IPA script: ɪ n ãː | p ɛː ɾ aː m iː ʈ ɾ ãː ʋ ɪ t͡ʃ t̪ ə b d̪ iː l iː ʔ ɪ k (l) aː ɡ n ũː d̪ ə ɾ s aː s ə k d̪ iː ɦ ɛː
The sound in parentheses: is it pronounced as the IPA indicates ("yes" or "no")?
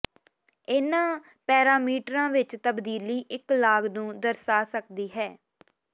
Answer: yes